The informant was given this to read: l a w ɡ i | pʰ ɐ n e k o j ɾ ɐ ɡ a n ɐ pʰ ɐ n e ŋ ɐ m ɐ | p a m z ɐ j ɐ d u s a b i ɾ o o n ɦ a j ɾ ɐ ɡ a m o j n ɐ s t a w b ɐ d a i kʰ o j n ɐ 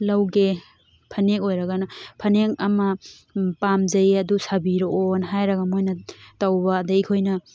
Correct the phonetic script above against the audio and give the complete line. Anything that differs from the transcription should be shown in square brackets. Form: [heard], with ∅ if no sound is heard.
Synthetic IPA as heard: l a w ɡ [e] | pʰ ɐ n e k o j ɾ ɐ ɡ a n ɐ pʰ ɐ n e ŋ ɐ m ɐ | p a m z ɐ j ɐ d u s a b i ɾ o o n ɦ a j ɾ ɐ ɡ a m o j n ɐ [∅] t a w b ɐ d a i kʰ o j n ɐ